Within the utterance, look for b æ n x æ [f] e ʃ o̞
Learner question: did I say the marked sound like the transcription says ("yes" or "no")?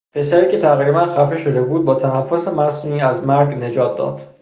yes